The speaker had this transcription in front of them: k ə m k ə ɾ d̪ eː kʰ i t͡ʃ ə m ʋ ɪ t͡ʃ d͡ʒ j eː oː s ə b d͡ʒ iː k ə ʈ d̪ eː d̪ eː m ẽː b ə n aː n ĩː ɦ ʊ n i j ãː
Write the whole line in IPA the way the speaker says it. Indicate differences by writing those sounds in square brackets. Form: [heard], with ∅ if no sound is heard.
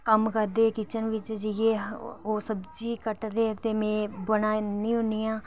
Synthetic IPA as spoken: k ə m k ə ɾ d̪ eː [k] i t͡ʃ ə [n] ʋ ɪ t͡ʃ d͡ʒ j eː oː s ə b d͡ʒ iː k ə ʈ d̪ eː [t̪] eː m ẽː b ə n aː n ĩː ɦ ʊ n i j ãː